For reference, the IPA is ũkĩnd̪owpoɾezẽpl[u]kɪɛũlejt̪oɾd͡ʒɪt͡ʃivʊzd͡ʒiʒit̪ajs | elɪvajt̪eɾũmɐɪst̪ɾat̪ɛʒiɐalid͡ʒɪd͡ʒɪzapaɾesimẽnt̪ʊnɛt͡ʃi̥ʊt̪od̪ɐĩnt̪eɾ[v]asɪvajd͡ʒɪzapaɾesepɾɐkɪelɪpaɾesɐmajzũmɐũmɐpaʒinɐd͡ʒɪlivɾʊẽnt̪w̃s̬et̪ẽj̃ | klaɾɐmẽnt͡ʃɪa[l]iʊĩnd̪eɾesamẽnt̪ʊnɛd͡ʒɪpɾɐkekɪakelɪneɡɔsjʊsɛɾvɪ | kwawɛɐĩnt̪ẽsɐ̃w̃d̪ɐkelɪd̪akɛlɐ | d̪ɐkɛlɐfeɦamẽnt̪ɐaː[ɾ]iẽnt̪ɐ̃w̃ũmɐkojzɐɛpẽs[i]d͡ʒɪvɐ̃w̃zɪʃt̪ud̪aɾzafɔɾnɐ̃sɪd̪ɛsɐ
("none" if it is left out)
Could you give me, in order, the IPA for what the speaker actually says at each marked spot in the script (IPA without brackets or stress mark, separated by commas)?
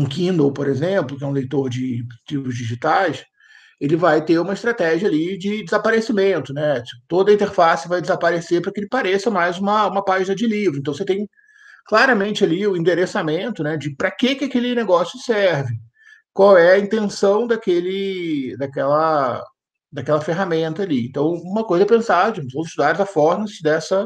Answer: ʊ, f, l, l, a